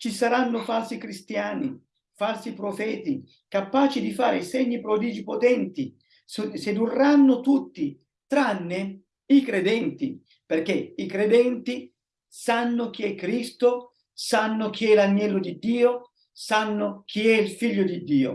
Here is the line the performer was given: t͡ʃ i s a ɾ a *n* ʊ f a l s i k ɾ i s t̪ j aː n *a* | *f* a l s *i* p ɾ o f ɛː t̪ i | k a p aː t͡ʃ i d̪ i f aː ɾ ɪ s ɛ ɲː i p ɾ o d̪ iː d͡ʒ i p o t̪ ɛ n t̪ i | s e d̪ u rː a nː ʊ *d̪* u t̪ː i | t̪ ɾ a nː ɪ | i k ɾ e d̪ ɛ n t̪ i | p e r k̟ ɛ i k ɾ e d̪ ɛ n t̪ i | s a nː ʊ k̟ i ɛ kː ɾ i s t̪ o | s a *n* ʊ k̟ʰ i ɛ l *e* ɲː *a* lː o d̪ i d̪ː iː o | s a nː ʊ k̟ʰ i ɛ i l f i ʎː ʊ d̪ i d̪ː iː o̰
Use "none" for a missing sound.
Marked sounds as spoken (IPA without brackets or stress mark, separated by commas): nː, i, f, i, t̪, nː, a, ɛ